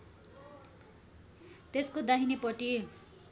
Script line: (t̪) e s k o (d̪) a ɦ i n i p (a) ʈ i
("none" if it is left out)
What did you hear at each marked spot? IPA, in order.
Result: t̪, d̪, ʌ

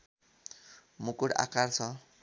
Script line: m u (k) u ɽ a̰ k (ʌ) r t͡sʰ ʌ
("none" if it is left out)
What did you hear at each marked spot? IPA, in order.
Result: k, a

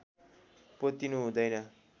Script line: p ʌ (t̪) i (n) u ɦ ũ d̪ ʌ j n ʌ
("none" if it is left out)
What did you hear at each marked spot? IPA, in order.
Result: t̪, n

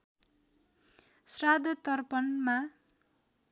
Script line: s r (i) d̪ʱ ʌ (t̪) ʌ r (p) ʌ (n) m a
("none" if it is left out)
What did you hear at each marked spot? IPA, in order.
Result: a, t̪, p, n

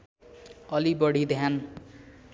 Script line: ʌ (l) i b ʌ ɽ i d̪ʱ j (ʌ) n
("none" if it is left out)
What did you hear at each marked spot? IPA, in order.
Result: l, a

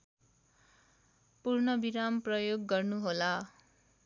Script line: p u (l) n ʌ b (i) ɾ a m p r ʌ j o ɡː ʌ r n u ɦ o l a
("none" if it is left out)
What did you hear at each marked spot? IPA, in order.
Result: r, i

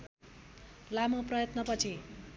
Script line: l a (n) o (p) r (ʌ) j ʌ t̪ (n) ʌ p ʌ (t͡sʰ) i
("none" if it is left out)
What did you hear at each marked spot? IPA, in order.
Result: m, p, ʌ, n, t͡sʰ

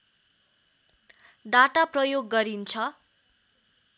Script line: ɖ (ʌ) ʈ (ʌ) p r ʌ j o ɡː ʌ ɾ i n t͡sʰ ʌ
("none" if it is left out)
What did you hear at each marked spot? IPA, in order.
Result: a, a

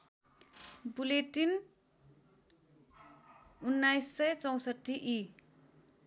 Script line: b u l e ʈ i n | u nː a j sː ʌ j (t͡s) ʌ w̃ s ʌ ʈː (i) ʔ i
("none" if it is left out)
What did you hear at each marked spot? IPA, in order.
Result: t͡s, i

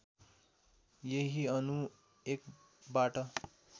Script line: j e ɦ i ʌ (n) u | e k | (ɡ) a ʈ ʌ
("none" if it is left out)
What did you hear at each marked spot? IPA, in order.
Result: n, b

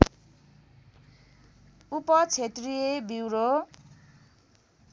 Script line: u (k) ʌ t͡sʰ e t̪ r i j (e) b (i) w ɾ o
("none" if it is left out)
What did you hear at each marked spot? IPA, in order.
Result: p, e, i

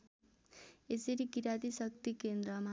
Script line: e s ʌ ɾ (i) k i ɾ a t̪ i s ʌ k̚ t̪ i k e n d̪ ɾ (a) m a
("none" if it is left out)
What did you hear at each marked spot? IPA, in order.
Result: i, ʌ

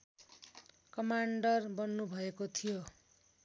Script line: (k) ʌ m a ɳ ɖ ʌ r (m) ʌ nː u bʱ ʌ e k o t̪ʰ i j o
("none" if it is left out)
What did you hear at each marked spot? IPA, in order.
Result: k, b

